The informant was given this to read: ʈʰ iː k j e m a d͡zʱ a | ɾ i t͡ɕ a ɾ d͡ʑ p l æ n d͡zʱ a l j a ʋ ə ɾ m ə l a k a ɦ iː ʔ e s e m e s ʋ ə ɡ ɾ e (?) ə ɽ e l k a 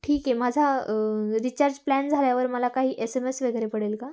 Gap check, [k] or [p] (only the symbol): p